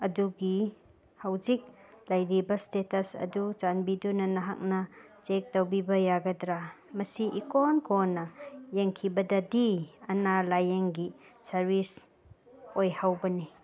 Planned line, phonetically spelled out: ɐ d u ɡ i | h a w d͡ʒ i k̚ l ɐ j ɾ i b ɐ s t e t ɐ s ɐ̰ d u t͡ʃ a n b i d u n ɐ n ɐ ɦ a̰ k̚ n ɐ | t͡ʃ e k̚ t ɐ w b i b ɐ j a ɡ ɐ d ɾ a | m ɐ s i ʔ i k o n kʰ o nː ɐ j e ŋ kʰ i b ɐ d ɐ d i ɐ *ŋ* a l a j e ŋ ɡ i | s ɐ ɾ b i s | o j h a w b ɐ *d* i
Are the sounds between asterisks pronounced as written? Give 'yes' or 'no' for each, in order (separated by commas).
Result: no, no